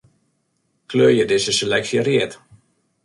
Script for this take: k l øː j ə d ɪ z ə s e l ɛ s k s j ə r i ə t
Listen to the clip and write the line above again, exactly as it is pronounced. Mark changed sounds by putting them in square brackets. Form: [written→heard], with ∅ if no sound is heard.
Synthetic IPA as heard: k l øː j ə d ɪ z ə s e l ɛ [s→∅] k s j ə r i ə t